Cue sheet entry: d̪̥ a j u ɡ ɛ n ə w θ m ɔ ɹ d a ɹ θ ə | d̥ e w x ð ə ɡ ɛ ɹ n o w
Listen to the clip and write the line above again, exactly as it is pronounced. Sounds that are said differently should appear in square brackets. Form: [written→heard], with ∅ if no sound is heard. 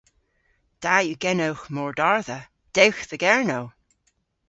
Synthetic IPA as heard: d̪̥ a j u ɡ ɛ n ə w [θ→x] m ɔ ɹ d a ɹ [θ→ð] ə | d̥ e w x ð ə ɡ ɛ ɹ n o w